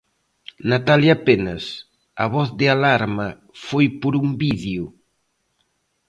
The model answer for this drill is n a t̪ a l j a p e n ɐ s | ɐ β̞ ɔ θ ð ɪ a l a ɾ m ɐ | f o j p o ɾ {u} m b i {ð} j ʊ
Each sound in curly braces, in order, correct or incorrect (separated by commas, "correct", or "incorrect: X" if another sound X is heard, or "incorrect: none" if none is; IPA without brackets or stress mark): correct, correct